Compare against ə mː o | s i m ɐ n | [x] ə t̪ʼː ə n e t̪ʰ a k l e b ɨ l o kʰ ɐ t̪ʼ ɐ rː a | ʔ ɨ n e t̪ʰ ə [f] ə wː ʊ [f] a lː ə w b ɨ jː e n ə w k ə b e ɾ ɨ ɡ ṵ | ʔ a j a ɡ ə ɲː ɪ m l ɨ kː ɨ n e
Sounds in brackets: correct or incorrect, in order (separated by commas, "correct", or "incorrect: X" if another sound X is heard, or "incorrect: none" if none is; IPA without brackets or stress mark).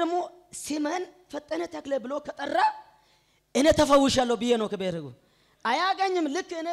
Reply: incorrect: f, correct, incorrect: ʃ